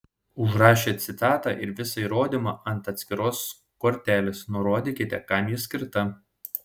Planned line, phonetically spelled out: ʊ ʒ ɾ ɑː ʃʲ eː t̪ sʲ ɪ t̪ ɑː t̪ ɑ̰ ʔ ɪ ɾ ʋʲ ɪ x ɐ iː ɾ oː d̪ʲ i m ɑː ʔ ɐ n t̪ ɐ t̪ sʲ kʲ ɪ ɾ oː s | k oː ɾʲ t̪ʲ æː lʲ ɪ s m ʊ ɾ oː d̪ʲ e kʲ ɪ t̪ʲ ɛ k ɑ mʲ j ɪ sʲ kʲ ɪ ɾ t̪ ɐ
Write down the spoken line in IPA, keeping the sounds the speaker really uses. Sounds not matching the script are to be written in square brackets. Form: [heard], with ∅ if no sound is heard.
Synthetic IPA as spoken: ʊ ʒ ɾ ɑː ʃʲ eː t̪ sʲ ɪ t̪ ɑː t̪ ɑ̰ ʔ ɪ ɾ ʋʲ ɪ [s] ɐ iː ɾ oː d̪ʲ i m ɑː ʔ ɐ n t̪ ɐ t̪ sʲ kʲ ɪ ɾ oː s | k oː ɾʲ t̪ʲ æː lʲ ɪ s [n] ʊ ɾ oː d̪ʲ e kʲ ɪ t̪ʲ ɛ k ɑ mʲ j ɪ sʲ kʲ ɪ ɾ t̪ ɐ

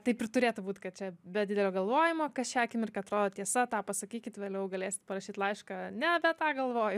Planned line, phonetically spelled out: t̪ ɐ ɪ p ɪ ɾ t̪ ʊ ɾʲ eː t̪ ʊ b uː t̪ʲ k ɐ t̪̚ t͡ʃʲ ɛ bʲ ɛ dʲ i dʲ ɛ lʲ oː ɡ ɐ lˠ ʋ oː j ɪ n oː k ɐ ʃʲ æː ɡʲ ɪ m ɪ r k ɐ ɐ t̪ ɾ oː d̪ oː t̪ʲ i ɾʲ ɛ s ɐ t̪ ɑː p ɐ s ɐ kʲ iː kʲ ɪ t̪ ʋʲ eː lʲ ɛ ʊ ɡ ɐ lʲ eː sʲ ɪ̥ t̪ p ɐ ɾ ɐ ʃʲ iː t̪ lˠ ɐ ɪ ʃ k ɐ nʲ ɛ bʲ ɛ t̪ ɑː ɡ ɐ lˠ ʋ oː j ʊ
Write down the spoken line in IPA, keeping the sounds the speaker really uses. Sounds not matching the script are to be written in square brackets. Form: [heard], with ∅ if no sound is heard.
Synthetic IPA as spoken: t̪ ɐ ɪ p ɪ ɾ t̪ ʊ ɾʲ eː t̪ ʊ b uː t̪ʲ k ɐ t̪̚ t͡ʃʲ ɛ bʲ ɛ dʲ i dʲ ɛ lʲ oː ɡ ɐ lˠ ʋ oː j ɪ [m] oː k ɐ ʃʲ æː [kʲ] ɪ m ɪ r k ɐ ɐ t̪ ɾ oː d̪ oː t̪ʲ i [∅] ɛ s ɐ t̪ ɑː p ɐ s ɐ kʲ iː kʲ ɪ t̪ ʋʲ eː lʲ ɛ ʊ ɡ ɐ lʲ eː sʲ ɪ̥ t̪ p ɐ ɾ ɐ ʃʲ iː t̪ lˠ ɐ ɪ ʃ k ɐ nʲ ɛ bʲ ɛ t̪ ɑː ɡ ɐ lˠ ʋ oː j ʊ

